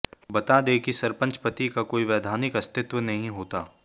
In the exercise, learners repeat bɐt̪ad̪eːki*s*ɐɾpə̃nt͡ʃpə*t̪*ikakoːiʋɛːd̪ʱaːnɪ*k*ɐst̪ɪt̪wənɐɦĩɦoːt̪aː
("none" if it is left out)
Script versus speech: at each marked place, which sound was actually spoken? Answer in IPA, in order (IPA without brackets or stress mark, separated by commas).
s, t̪, k